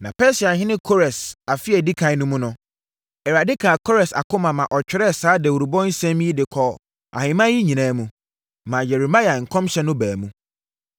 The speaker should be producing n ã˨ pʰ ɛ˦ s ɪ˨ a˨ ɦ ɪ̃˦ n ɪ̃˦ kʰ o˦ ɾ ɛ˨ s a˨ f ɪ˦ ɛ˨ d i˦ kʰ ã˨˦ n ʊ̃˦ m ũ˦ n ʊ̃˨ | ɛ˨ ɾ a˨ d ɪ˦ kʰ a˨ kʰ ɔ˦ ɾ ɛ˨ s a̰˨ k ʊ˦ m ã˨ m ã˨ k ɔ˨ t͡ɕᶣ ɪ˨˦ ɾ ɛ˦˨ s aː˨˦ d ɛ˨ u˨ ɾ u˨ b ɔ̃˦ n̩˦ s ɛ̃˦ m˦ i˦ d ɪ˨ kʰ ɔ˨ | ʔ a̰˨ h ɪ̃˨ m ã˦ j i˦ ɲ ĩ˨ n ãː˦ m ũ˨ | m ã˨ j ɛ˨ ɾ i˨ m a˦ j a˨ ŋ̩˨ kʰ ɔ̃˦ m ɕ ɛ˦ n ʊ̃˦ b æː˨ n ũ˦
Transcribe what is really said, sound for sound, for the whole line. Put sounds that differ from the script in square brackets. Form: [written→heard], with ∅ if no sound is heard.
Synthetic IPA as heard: n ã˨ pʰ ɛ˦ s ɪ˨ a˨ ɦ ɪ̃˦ n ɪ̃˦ kʰ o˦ ɾ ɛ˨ s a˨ f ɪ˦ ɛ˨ d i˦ kʰ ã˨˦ n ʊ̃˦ m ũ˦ n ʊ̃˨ | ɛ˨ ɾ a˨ d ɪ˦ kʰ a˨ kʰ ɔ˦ ɾ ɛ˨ s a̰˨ k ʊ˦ m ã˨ m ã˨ [k→ʔ] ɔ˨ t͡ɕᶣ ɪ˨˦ ɾ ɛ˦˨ s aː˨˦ d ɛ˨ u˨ ɾ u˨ b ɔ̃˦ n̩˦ s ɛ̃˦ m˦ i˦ d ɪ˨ kʰ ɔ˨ | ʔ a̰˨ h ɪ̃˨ m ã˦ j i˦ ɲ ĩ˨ n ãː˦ m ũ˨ | m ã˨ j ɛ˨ ɾ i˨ m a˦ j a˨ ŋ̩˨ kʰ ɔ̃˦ m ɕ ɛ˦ n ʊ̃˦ b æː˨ [n→m] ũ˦